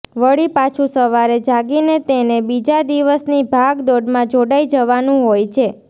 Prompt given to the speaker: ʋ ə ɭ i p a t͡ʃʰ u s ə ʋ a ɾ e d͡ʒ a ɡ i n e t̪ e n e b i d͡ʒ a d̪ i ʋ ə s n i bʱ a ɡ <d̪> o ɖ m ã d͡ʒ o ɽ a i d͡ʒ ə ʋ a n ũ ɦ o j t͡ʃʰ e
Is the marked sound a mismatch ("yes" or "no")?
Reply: no